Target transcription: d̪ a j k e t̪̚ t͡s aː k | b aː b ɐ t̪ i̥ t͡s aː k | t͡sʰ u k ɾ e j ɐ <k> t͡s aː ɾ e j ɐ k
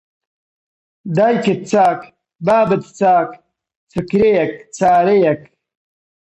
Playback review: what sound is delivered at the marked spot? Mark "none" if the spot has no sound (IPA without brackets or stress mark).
k